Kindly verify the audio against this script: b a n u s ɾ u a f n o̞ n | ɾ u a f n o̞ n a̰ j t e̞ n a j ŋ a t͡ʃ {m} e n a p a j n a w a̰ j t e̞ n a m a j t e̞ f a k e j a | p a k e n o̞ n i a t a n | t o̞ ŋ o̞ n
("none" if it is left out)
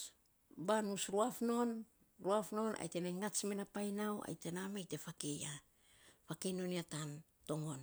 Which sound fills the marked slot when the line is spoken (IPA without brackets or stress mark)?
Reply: m